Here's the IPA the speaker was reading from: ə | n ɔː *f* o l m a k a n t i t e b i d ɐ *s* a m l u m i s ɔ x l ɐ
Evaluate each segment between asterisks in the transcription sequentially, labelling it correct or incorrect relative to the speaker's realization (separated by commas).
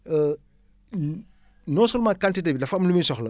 incorrect, incorrect